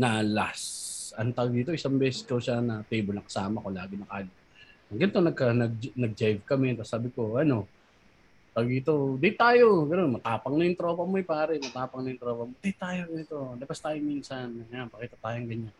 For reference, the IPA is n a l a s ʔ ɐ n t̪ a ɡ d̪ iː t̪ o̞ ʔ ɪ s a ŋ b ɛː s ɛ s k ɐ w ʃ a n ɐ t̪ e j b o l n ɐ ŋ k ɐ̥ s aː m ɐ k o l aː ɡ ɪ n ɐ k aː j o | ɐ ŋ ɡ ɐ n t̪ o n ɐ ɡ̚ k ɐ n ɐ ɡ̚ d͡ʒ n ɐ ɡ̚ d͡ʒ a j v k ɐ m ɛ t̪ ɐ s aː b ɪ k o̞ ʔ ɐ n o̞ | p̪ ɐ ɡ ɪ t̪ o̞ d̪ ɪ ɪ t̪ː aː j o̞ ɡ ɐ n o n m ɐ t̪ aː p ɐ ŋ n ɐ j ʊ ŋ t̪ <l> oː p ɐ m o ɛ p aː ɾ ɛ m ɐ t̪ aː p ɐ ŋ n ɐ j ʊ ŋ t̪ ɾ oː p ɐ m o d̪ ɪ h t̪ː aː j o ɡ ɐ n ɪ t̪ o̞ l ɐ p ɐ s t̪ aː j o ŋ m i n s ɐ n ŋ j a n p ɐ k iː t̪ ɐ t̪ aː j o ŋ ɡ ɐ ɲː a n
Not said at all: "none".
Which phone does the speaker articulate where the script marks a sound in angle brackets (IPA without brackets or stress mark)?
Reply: ɾ